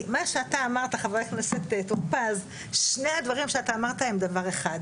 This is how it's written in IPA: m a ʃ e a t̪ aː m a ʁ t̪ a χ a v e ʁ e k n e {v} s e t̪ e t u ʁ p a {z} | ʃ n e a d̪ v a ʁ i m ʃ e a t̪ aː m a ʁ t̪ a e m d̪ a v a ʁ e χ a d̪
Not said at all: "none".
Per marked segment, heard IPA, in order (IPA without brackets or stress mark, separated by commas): none, z